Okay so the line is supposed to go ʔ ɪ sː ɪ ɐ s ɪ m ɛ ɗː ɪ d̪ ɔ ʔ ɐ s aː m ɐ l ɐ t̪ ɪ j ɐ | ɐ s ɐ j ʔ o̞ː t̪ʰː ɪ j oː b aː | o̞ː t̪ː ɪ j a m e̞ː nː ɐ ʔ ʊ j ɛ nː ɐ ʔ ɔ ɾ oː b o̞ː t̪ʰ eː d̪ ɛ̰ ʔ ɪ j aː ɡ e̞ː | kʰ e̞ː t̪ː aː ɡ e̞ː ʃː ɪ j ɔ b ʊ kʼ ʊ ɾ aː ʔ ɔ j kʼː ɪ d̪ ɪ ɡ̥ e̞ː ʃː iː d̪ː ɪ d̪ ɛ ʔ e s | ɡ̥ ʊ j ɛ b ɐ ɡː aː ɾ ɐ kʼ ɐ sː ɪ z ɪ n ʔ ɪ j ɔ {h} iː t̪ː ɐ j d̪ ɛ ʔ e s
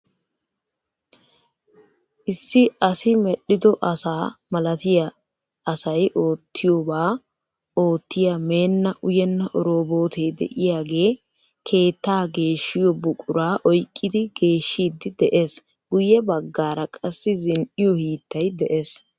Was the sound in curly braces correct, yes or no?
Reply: yes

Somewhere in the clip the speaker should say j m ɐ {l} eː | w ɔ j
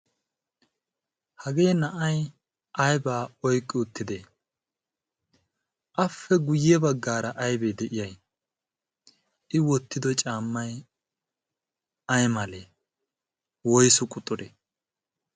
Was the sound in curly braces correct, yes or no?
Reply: yes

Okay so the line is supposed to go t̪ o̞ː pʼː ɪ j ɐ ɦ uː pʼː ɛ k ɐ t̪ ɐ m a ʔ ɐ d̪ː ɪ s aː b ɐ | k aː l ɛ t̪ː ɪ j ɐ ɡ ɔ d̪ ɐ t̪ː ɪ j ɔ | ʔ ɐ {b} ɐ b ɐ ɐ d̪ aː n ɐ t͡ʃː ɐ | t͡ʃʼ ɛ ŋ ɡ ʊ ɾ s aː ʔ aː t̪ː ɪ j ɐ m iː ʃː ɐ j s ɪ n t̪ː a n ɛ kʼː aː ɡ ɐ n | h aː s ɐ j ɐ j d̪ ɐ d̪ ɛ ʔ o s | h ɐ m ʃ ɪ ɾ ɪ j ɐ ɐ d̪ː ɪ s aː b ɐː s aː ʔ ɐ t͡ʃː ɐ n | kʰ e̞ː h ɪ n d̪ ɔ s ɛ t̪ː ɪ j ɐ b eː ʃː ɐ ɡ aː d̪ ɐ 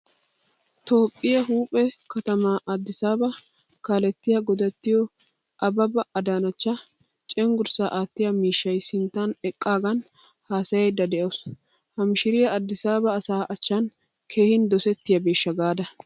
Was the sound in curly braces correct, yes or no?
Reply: yes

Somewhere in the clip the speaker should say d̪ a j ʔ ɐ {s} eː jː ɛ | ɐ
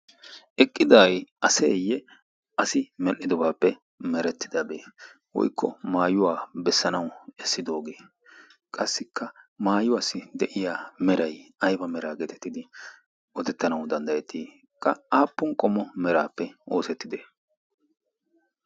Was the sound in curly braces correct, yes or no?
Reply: yes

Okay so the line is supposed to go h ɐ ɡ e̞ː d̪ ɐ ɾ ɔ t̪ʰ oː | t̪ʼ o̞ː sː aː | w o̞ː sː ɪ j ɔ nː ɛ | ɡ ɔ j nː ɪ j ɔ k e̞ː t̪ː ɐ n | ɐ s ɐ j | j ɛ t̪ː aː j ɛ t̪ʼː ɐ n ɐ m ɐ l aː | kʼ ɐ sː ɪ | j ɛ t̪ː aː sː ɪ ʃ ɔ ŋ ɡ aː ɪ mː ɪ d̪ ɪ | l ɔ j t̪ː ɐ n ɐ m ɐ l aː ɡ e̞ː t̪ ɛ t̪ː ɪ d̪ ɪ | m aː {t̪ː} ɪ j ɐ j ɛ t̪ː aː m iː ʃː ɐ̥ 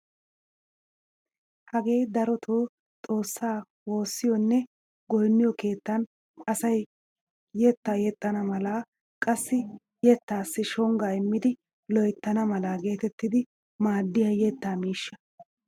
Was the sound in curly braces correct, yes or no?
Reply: no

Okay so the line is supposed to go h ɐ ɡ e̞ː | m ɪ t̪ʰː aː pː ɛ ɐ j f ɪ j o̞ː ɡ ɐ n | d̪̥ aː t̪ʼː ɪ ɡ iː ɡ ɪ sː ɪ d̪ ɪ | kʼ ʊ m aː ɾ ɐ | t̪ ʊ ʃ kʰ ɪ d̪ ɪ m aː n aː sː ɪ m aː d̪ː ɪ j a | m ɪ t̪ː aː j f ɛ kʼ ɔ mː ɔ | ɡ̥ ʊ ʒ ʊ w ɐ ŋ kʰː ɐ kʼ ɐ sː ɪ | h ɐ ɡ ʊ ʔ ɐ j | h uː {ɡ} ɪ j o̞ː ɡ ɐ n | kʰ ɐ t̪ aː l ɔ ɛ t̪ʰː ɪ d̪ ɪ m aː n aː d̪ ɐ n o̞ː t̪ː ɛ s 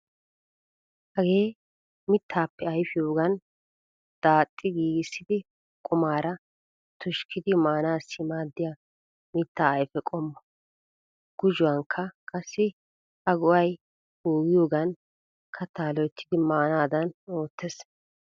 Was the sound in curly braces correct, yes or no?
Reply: yes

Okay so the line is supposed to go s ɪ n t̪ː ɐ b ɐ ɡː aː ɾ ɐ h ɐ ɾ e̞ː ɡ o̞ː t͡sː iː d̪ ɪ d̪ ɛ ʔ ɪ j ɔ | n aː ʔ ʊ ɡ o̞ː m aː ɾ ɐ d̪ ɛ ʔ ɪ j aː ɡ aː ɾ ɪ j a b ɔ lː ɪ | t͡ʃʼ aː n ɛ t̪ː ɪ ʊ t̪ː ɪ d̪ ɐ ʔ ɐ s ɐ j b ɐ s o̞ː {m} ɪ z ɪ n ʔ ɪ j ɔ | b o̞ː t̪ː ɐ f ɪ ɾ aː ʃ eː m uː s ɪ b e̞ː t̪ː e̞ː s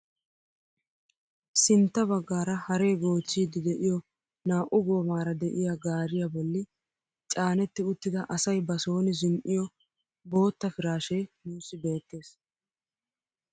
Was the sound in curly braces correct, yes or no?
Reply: no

